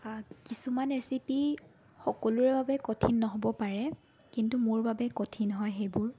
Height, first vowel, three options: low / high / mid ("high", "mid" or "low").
high